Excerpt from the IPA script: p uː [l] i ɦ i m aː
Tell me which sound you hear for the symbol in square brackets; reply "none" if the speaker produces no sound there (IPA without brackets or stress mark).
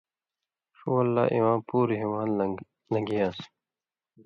ɾ